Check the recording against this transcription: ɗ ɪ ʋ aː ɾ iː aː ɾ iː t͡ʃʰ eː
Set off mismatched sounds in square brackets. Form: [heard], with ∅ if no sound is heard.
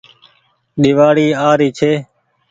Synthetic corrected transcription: ɗ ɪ ʋ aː [ɽ] iː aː ɾ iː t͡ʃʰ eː